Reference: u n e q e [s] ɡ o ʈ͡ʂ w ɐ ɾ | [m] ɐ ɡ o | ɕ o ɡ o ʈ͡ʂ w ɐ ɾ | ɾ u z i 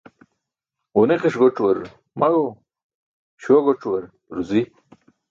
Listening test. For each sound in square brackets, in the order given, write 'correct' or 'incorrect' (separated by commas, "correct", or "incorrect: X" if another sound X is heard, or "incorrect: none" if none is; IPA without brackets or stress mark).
incorrect: ʂ, correct